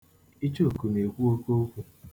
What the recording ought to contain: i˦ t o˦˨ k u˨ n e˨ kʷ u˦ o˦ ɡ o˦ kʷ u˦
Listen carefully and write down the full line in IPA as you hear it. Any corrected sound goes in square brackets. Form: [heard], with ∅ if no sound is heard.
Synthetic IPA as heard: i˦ [t͡ʃ] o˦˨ k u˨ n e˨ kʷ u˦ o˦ [k] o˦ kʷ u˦